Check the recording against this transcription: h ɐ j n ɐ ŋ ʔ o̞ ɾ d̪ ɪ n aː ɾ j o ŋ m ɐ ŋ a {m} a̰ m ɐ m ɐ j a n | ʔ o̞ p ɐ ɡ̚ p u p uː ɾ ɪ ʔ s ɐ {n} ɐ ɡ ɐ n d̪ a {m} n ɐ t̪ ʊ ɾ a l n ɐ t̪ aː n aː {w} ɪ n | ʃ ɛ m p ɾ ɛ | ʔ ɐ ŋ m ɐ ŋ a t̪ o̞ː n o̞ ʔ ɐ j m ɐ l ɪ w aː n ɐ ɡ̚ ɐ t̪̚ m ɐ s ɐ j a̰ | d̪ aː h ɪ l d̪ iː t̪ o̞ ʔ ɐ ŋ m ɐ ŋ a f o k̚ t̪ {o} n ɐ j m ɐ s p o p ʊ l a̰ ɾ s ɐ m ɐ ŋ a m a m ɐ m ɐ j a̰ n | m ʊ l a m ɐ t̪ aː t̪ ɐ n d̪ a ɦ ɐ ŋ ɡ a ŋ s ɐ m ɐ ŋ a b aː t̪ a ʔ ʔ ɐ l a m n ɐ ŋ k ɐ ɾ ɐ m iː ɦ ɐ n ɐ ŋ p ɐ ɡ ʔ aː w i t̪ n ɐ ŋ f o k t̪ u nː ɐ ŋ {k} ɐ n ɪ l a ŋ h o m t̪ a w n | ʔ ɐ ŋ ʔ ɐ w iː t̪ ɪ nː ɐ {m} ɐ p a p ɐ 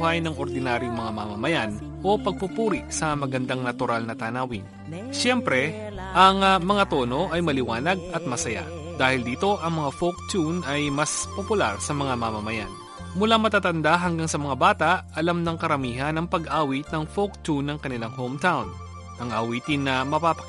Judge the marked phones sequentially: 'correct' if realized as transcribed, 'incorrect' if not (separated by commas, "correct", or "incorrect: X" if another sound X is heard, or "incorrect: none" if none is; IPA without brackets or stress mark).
correct, incorrect: m, incorrect: ŋ, correct, incorrect: u, correct, correct